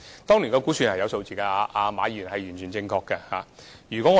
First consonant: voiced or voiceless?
voiceless